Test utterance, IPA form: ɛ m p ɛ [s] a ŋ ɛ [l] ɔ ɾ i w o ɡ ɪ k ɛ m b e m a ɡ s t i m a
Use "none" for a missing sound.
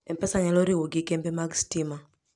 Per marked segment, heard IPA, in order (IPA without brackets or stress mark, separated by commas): s, l